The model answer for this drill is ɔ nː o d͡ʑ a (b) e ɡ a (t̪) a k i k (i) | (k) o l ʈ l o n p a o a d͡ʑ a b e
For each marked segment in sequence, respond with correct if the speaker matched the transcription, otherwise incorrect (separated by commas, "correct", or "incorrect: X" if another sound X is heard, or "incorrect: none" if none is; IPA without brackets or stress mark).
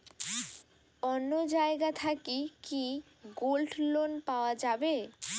incorrect: none, incorrect: t̪ʰ, correct, incorrect: ɡ